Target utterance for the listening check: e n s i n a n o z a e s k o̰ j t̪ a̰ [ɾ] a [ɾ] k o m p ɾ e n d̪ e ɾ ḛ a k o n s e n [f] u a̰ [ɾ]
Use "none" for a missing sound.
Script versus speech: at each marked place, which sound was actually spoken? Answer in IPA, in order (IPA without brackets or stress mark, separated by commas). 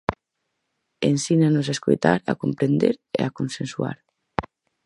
ɾ, none, s, ɾ